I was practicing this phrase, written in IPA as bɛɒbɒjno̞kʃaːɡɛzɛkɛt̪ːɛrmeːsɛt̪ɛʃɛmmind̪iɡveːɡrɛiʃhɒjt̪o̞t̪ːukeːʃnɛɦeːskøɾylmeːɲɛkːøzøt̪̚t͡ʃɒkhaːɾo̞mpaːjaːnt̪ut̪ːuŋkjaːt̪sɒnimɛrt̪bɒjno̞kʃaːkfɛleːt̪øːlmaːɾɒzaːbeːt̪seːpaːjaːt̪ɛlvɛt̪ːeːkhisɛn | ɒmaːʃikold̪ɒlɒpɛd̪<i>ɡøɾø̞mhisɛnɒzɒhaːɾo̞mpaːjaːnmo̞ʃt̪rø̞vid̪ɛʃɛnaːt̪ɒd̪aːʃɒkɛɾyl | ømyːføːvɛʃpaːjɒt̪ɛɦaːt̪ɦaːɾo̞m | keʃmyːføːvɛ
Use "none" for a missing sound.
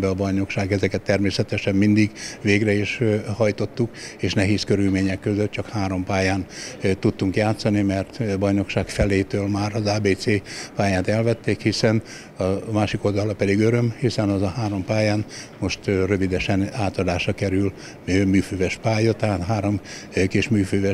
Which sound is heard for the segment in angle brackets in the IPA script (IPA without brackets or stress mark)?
i